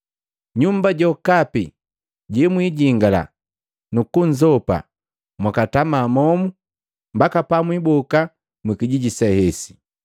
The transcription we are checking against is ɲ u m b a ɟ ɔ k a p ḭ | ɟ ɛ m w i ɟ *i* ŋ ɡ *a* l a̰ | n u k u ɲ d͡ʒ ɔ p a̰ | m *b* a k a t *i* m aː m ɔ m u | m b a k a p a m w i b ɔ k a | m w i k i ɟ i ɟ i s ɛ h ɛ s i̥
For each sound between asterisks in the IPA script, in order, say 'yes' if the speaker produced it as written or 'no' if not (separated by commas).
yes, yes, no, no